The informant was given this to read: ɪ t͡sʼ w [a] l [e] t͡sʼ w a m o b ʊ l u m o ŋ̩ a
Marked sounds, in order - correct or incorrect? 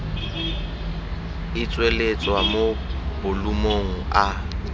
incorrect: e, correct

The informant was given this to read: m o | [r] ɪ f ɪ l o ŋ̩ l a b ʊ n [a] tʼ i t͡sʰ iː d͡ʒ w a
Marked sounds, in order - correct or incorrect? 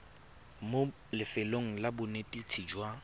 incorrect: l, incorrect: e

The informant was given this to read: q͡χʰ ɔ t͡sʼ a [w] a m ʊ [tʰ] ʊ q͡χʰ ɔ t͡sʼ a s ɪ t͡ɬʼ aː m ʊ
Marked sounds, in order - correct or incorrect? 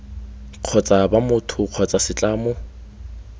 incorrect: b, correct

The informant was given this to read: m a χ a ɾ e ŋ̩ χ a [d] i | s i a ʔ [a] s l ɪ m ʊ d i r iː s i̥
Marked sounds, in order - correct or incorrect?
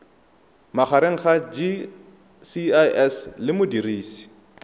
incorrect: d͡ʒ, incorrect: ɛ

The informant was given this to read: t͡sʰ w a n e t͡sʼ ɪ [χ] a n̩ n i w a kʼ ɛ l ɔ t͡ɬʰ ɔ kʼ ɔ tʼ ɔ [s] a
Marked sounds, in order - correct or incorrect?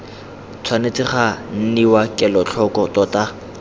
correct, incorrect: t

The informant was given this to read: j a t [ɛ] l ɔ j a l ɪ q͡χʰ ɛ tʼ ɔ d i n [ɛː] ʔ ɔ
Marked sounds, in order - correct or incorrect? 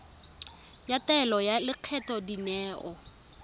correct, correct

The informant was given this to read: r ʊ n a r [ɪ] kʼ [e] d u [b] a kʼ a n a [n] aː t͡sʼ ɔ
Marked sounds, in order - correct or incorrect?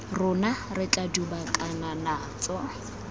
correct, incorrect: a, correct, correct

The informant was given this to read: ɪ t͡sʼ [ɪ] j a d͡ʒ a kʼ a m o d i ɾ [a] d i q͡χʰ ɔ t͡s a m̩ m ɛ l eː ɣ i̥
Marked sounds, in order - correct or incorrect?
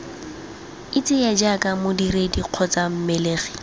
correct, incorrect: e

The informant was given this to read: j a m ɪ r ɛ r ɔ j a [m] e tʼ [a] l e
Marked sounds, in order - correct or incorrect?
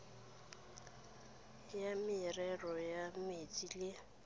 correct, incorrect: i

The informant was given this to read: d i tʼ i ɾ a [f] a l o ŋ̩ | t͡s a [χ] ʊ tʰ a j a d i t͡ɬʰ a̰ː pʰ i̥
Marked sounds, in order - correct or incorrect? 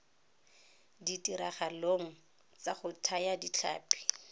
incorrect: χ, correct

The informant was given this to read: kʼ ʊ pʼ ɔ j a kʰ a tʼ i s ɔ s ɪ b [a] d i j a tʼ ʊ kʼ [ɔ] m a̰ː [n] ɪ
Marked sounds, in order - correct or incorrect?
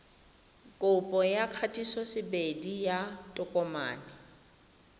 incorrect: e, correct, correct

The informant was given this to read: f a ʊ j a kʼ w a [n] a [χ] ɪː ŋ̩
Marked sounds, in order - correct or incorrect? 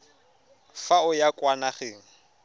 correct, correct

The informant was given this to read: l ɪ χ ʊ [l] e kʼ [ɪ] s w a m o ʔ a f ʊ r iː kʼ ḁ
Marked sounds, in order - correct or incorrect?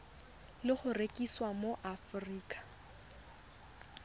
incorrect: r, incorrect: i

